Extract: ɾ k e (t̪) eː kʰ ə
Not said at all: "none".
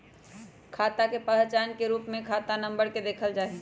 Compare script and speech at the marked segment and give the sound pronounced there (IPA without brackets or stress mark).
d̪